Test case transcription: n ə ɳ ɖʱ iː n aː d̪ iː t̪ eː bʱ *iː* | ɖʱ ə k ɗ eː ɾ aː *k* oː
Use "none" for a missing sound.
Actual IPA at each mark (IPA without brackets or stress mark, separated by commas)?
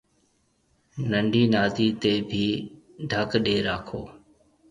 iː, kʰ